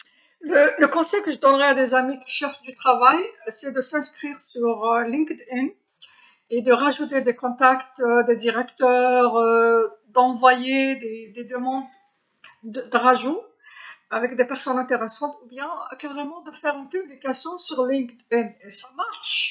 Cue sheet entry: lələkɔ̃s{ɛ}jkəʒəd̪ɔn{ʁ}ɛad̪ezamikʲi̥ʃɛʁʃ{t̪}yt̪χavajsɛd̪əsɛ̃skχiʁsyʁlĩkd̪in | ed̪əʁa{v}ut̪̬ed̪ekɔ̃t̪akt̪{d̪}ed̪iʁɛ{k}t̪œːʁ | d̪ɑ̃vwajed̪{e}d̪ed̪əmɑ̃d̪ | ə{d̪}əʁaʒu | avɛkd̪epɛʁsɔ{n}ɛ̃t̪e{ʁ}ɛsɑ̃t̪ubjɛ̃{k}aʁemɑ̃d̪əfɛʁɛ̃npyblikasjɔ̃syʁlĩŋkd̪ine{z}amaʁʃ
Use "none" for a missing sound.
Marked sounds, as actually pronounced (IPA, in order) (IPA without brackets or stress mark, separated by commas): ɛ, ʁ, d̪, ʒ, d̪, k, e, d̪, n, ʁ, k, s